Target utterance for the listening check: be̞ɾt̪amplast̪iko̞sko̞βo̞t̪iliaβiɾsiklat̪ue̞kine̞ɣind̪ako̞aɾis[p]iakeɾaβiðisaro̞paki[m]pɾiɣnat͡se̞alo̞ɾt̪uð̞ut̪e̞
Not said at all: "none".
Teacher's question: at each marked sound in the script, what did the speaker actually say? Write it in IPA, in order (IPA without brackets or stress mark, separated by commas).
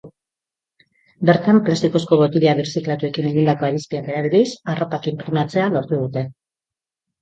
p, m